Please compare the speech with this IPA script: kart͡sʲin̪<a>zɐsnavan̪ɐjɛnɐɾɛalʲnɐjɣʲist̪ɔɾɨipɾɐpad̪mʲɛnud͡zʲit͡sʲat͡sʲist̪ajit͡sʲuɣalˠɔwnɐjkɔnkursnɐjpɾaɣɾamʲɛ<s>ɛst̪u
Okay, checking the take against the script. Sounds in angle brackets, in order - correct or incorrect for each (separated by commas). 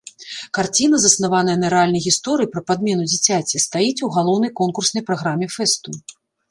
incorrect, incorrect